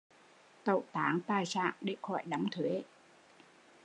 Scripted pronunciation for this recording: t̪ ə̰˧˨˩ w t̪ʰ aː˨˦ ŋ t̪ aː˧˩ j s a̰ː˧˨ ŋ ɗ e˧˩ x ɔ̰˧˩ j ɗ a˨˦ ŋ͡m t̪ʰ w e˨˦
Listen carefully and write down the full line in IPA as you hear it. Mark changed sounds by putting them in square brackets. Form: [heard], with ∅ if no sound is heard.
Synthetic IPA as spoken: t̪ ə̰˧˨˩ w [t̪] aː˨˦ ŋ t̪ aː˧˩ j s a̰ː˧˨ ŋ ɗ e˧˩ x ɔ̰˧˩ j ɗ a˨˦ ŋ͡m t̪ʰ w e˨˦

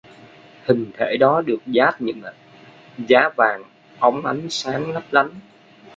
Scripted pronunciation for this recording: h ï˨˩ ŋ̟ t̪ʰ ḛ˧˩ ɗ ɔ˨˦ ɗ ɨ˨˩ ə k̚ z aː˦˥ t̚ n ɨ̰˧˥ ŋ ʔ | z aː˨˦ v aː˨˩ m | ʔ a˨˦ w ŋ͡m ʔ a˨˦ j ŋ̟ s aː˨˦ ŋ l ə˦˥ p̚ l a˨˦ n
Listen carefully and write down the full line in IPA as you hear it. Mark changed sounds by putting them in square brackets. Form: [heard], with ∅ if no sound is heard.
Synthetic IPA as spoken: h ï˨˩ ŋ̟ t̪ʰ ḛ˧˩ ɗ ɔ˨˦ ɗ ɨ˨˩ ə k̚ z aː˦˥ t̚ [ɲ] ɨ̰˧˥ ŋ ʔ | z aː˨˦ v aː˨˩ [ŋ] | ʔ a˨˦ w ŋ͡m ʔ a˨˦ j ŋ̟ s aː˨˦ ŋ l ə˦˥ p̚ l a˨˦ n

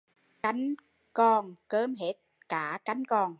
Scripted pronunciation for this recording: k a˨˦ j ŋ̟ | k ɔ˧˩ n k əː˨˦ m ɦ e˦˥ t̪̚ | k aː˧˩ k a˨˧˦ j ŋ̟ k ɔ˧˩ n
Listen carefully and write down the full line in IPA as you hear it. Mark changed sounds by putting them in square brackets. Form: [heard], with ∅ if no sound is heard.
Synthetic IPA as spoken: k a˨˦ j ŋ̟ | k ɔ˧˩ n k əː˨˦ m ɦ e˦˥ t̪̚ | k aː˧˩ k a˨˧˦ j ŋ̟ k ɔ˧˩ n

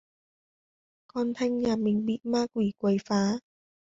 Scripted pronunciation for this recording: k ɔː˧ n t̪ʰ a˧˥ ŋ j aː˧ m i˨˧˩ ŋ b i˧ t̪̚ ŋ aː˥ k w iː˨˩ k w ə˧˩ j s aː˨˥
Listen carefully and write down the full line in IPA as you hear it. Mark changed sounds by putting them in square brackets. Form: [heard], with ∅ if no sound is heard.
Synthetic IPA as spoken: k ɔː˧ n t̪ʰ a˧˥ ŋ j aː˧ m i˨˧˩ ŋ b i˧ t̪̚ [m] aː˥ k w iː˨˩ k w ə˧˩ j [f] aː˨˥

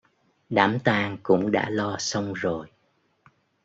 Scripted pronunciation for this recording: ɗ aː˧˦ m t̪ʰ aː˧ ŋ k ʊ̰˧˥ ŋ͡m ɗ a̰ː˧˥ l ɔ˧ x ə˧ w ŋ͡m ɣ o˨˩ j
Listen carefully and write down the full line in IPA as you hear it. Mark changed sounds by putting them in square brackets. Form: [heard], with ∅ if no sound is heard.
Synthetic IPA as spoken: ɗ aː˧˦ m [t̪] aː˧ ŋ k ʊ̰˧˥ ŋ͡m ɗ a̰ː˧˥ l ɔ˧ [s] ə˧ w ŋ͡m [z] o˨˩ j

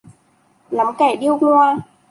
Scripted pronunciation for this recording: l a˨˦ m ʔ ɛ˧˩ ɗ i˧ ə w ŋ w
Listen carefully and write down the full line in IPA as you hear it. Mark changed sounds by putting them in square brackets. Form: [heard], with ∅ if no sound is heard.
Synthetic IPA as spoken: l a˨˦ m [k] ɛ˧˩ ɗ i˧ ə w ŋ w

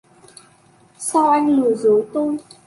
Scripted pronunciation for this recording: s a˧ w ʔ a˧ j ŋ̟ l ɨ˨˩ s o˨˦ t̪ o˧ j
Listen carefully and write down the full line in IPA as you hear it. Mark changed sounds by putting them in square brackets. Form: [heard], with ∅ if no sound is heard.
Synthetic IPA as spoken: s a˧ w ʔ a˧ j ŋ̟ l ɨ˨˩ [z] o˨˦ t̪ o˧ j

